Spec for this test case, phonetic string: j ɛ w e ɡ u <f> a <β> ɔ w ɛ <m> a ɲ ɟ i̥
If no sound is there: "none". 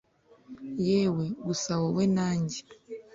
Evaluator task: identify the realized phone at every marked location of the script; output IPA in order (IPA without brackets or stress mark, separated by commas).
s, w, n